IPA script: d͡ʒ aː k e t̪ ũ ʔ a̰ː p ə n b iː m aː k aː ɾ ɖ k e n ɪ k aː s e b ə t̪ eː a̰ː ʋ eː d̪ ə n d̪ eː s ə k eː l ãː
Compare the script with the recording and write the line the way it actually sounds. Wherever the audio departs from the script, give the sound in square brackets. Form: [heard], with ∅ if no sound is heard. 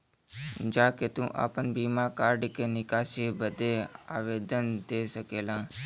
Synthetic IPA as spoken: d͡ʒ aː k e t̪ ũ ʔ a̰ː p ə n b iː m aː k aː ɾ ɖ k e n ɪ k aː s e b ə [d̪] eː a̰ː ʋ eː d̪ ə n d̪ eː s ə k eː l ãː